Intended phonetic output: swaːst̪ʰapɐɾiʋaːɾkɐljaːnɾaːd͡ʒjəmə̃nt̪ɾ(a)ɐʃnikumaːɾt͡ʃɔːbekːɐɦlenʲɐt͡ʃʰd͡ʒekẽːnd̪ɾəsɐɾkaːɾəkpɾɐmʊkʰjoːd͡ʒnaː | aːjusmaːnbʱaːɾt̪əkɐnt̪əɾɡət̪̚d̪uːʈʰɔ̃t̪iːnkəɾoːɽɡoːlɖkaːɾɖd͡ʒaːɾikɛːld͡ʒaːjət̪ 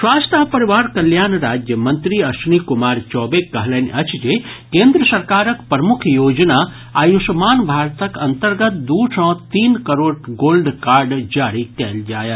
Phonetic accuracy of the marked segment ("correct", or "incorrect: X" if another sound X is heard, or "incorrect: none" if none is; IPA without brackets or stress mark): incorrect: i